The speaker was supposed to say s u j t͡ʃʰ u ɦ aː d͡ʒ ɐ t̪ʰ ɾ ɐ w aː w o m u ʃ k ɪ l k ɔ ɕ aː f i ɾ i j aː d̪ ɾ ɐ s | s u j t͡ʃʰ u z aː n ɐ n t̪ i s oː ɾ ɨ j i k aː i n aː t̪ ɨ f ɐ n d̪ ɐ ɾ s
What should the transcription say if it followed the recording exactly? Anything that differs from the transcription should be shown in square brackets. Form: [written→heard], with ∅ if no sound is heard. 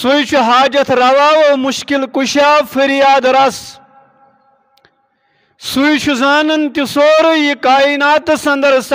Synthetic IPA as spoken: s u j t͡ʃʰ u ɦ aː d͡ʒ ɐ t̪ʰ ɾ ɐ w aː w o m u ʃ k [ɪ→i] l k [ɔ→u] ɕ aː f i ɾ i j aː d̪ ɾ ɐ s | s u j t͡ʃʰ u z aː n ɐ n t̪ i s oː ɾ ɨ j i k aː i n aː t̪ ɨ [f→s] ɐ n d̪ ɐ ɾ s